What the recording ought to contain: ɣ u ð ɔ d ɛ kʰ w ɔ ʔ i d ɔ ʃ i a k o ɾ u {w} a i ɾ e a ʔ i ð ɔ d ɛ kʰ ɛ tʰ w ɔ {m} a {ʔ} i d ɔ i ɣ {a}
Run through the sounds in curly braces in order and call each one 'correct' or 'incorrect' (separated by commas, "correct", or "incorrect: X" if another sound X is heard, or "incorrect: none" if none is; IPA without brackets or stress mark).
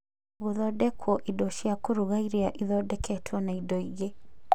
incorrect: ɣ, incorrect: n, incorrect: none, incorrect: e